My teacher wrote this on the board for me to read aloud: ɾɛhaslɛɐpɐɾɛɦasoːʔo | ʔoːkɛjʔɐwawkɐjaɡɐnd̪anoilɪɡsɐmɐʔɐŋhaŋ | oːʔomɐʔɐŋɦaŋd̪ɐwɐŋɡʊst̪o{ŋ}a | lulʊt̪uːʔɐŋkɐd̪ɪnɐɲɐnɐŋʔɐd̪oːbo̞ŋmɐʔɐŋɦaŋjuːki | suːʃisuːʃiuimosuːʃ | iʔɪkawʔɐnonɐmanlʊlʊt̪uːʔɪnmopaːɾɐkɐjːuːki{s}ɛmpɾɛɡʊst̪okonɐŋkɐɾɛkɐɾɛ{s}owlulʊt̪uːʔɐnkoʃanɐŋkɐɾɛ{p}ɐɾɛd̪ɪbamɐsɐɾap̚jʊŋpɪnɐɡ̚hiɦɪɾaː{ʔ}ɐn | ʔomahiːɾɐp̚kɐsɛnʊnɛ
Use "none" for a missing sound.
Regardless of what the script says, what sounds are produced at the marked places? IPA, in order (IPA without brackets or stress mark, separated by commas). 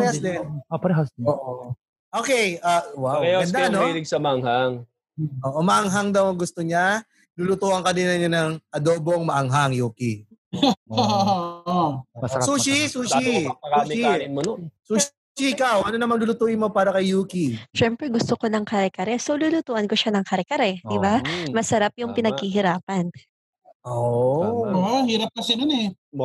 ɲ, ʃ, s, k, p